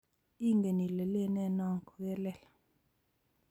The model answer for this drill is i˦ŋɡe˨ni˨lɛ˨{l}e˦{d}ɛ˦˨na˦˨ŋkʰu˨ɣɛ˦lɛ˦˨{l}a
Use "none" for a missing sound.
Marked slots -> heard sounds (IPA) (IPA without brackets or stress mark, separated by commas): l, n, l